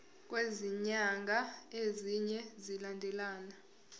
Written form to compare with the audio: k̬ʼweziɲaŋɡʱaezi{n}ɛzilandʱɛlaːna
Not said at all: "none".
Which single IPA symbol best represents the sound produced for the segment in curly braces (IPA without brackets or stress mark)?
ɲ